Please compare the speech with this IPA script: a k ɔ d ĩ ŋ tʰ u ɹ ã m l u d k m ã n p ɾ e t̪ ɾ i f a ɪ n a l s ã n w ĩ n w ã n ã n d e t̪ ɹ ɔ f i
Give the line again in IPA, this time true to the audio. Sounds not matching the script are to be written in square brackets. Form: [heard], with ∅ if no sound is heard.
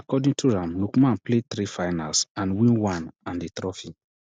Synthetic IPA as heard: a k ɔ d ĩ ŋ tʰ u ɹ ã m l u [∅] k m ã n p [l] e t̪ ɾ i f a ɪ n a l s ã n w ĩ n w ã n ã n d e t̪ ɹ ɔ f i